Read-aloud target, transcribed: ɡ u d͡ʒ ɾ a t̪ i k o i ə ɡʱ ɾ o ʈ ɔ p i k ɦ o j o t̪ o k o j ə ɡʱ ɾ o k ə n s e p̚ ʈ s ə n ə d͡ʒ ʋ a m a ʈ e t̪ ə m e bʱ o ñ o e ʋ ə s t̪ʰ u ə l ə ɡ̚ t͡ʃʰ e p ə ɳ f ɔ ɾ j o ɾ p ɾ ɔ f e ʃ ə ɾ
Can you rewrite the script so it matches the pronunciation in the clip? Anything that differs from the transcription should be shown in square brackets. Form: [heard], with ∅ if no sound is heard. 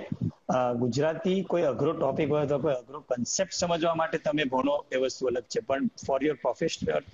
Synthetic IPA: ɡ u d͡ʒ ɾ a t̪ i k o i ə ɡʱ ɾ o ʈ ɔ p i k ɦ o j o t̪ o k o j ə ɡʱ ɾ o k ə n s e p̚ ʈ s ə [m] ə d͡ʒ ʋ a m a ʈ e t̪ ə m e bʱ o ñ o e ʋ ə s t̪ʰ u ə l ə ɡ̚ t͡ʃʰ e p ə ɳ f ɔ ɾ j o ɾ p ɾ ɔ f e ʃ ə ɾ